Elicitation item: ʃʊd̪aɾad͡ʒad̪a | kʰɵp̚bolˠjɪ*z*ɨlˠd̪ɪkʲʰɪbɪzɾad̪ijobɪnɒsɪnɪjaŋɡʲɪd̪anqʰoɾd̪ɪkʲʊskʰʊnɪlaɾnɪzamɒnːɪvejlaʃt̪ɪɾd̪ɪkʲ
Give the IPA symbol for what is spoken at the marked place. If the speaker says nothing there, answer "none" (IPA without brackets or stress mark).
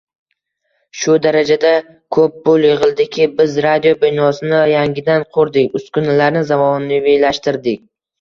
ʁ